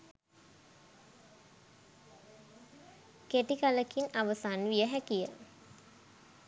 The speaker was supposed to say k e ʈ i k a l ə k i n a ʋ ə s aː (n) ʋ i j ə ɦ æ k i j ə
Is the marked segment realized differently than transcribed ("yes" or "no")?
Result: no